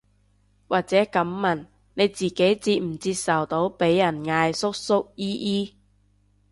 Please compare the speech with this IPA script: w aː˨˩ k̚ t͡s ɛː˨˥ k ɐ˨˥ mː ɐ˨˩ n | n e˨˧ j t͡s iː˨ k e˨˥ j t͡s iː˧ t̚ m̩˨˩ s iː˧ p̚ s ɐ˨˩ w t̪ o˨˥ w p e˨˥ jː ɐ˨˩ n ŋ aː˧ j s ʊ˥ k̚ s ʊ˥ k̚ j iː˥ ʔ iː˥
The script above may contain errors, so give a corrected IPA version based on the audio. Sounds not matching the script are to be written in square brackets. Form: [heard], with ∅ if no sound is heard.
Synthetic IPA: w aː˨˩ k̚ t͡s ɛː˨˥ k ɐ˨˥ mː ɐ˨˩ n | n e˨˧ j t͡s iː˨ k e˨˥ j t͡s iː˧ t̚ m̩˨˩ [t͡s] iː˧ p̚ s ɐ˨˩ w t̪ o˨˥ w p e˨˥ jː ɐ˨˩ n ŋ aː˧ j s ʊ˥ k̚ s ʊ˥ k̚ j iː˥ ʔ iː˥